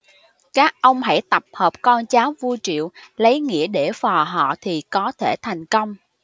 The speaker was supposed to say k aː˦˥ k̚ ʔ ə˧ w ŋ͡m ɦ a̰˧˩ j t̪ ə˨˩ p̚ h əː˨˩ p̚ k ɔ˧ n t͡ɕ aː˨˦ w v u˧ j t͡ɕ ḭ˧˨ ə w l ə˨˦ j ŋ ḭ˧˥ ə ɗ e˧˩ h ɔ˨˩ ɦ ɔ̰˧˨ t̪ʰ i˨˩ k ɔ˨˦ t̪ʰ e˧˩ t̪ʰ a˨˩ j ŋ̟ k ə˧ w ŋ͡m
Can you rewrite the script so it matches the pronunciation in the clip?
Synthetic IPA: k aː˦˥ k̚ ʔ ə˧ w ŋ͡m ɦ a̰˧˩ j t̪ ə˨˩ p̚ h əː˨˩ p̚ k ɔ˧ n t͡ɕ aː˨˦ w v u˧ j t͡ɕ ḭ˧˨ ə w l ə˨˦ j ŋ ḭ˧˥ ə ɗ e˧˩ f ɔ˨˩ ɦ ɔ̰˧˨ t̪ʰ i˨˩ k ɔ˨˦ t̪ʰ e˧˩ t̪ʰ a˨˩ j ŋ̟ k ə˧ w ŋ͡m

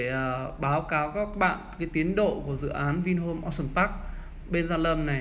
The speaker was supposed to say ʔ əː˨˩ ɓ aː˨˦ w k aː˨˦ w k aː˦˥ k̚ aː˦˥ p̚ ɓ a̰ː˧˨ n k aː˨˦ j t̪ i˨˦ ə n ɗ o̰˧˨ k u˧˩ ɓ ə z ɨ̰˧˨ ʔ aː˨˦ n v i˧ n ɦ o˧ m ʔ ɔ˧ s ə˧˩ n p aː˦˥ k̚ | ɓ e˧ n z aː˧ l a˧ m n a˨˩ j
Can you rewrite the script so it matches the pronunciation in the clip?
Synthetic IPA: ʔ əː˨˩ ɓ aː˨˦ w k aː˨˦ w k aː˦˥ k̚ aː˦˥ k̚ ɓ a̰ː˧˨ n k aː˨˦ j t̪ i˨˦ ə n ɗ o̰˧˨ k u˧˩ ə z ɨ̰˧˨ ʔ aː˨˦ n v i˧ n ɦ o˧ m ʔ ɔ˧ s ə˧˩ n p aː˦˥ k̚ | ɓ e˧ n z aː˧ l ə˧ m n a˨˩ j

